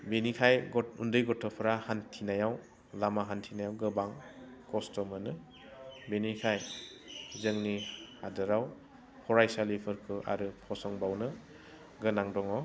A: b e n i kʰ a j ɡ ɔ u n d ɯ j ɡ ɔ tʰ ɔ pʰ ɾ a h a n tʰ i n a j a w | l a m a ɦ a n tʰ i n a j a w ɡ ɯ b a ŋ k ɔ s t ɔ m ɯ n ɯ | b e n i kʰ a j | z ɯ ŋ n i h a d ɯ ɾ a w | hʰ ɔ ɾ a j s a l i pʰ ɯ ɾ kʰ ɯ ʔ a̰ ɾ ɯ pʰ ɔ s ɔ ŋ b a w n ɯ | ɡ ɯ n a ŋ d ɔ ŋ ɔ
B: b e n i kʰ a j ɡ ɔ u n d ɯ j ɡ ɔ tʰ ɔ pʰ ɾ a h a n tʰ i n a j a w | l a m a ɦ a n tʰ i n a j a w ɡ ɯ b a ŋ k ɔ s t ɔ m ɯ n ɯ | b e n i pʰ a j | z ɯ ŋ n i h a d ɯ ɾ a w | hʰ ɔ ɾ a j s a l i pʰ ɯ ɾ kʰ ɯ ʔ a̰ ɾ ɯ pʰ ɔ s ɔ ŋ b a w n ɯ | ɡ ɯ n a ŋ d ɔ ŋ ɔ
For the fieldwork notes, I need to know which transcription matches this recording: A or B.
A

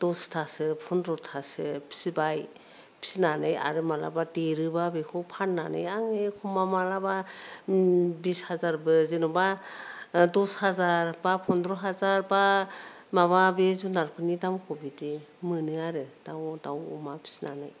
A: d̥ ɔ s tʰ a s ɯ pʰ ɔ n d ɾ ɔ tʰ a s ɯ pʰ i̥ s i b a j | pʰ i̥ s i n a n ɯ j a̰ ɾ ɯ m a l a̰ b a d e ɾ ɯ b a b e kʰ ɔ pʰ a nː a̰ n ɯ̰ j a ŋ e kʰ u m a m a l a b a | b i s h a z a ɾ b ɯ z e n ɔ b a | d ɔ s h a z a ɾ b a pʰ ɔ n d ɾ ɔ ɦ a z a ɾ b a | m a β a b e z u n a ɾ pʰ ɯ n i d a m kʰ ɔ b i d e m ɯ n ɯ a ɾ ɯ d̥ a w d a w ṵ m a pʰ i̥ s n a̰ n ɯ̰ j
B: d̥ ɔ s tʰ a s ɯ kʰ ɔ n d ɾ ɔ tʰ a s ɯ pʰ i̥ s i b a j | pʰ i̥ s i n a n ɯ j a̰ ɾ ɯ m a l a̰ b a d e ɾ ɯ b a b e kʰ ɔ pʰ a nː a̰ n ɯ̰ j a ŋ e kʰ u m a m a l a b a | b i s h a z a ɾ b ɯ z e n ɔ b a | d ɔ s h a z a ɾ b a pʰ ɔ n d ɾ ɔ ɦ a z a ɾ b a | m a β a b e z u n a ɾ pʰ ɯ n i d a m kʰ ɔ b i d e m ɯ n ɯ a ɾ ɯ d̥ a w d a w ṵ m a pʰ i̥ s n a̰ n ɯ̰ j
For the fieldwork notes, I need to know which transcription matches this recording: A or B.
A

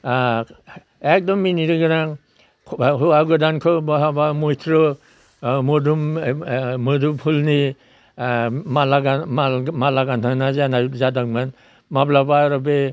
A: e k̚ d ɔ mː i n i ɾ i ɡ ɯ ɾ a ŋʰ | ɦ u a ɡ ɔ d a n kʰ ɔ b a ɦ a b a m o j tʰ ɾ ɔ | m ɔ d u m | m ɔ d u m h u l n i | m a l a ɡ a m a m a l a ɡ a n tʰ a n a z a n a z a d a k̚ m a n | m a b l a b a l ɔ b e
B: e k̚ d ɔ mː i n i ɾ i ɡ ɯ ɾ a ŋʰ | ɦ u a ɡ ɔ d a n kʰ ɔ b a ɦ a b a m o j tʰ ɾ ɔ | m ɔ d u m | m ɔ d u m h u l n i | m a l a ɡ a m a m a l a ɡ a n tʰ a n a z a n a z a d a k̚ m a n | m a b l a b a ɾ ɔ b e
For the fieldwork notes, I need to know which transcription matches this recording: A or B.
B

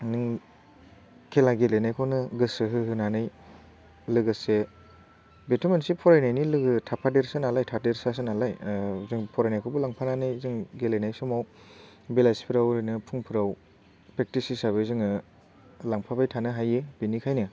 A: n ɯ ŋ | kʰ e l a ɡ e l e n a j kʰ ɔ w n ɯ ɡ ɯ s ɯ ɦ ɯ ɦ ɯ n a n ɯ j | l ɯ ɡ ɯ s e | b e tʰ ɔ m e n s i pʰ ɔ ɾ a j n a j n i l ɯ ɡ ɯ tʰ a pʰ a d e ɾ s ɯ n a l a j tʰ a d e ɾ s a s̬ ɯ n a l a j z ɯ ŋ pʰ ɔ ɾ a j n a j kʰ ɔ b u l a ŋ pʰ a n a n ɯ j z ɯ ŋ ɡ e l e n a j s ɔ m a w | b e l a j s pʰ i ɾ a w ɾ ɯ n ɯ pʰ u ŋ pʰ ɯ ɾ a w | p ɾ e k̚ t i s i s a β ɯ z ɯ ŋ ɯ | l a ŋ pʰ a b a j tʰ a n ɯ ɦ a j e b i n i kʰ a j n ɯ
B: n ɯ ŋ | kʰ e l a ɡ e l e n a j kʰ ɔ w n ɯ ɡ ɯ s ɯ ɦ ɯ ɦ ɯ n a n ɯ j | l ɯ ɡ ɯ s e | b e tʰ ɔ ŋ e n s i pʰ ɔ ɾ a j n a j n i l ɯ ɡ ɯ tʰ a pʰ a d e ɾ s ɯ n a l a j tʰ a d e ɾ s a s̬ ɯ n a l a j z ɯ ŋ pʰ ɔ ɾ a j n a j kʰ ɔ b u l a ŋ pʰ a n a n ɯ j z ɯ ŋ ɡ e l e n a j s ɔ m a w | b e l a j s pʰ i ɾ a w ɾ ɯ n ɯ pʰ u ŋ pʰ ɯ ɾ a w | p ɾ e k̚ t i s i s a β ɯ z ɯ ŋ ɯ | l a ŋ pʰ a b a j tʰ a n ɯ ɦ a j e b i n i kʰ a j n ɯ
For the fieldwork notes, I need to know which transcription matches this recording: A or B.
A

